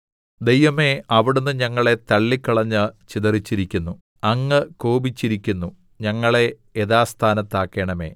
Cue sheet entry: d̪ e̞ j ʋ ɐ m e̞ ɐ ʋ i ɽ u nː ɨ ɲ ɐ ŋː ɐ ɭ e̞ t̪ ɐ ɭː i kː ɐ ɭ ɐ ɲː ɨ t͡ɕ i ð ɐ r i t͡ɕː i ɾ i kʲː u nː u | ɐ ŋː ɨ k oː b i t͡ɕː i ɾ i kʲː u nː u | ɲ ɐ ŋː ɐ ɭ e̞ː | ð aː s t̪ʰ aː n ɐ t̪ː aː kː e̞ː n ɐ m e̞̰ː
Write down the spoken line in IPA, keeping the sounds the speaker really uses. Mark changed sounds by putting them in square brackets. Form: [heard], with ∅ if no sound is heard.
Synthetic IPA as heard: d̪ e̞ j ʋ ɐ m e̞ ɐ ʋ i ɽ u nː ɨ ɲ ɐ ŋː ɐ ɭ e̞ t̪ ɐ ɭː i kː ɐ ɭ ɐ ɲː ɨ t͡ɕ i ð ɐ r i t͡ɕː i ɾ i kʲː u nː u | ɐ ŋː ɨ k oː b i t͡ɕː i ɾ i kʲː u nː u | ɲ ɐ ŋː ɐ ɭ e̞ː | ð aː s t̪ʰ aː n ɐ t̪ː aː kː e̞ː [ɳ] ɐ m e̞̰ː